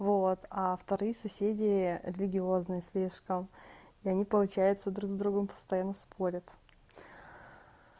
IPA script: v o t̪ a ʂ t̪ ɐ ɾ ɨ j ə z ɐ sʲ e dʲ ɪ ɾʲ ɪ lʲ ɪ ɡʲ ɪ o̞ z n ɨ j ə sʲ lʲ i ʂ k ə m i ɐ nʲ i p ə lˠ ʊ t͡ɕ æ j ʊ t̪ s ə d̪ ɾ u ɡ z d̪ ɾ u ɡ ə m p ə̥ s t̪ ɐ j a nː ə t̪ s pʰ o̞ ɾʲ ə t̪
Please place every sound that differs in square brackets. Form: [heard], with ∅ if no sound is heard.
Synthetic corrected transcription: v o t̪ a [f] t̪ ɐ ɾ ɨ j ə [s] ɐ sʲ e dʲ ɪ ɾʲ ɪ lʲ ɪ ɡʲ ɪ o̞ z n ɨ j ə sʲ lʲ i ʂ k ə m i ɐ nʲ i p ə lˠ ʊ t͡ɕ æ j ʊ t̪ s ə d̪ ɾ u ɡ z d̪ ɾ u ɡ ə m p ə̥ s t̪ ɐ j a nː ə [∅] s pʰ o̞ ɾʲ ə t̪